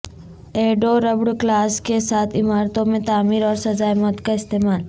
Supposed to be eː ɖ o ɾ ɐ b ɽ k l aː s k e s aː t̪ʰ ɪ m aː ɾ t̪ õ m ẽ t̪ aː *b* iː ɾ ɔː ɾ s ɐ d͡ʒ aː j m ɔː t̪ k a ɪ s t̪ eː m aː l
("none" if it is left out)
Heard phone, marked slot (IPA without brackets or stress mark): m